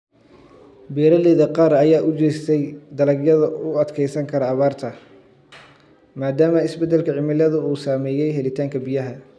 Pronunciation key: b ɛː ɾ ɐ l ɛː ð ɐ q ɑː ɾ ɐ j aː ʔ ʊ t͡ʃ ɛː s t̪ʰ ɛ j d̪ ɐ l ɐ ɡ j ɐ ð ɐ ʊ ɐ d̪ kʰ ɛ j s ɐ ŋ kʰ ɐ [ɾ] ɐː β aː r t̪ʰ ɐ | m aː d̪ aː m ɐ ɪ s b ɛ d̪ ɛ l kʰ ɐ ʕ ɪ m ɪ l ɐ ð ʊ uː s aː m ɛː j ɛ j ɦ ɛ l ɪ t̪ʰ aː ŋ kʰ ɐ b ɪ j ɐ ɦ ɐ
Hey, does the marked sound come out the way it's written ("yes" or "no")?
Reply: yes